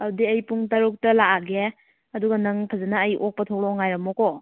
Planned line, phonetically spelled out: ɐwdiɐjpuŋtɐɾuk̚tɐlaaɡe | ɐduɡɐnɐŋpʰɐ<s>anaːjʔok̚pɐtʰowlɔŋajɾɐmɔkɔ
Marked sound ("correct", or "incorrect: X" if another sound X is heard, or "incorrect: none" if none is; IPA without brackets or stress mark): incorrect: z